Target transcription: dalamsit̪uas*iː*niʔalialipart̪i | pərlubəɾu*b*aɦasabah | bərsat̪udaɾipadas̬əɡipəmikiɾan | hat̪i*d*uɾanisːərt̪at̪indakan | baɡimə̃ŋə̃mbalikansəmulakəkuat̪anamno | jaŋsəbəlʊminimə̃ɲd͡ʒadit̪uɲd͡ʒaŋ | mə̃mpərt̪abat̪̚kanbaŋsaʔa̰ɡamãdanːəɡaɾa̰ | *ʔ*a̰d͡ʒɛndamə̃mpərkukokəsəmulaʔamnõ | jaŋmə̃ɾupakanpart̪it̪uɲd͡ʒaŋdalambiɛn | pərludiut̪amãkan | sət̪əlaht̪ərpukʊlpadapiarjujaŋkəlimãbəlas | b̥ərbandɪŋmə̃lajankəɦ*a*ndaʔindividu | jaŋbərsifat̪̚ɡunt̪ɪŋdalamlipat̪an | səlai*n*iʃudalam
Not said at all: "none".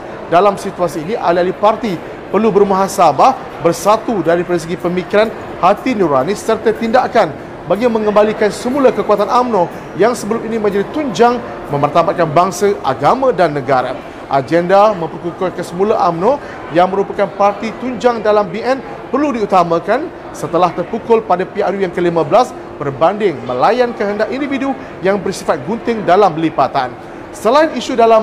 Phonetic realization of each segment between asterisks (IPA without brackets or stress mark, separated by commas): iː, m, n, ʔ, ə, n